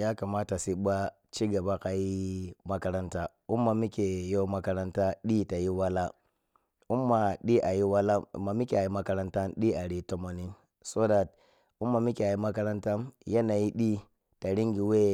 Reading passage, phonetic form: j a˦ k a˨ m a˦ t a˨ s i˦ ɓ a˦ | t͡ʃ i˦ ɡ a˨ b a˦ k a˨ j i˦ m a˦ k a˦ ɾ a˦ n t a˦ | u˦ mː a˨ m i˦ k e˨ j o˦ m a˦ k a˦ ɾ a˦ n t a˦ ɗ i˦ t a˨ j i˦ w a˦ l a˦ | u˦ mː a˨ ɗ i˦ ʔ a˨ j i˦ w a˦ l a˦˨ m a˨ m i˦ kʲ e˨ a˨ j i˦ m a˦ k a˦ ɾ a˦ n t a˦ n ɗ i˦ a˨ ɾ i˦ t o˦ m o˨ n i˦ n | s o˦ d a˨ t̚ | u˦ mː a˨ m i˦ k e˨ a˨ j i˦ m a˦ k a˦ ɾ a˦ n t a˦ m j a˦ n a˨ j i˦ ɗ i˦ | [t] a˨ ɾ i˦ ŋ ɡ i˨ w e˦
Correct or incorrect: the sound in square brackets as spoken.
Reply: correct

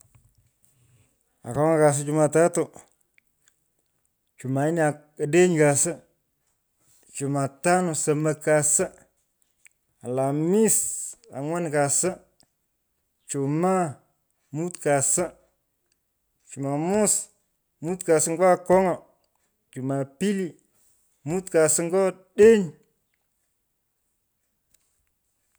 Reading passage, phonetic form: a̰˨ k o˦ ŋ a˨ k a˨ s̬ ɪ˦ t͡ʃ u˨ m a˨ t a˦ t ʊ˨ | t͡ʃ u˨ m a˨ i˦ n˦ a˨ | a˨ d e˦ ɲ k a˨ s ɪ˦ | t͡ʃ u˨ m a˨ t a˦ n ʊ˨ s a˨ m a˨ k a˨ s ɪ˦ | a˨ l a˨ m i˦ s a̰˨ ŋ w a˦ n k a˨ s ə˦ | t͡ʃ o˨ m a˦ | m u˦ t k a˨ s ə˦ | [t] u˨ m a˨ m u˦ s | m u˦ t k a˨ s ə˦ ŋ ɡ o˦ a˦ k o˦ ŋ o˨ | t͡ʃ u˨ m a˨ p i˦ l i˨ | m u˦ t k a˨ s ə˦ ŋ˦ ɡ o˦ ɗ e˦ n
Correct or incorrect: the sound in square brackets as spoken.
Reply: incorrect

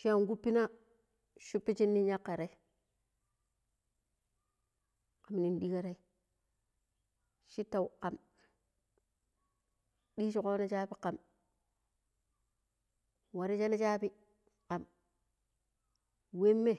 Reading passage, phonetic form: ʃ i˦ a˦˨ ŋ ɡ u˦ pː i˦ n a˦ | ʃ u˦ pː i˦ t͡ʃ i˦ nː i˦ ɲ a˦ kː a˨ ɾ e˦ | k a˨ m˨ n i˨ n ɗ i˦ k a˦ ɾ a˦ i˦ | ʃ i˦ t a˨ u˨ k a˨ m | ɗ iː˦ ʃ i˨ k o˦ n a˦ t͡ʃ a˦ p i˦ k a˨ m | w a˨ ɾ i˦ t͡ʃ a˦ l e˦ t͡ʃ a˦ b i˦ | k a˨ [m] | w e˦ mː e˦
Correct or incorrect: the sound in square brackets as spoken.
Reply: correct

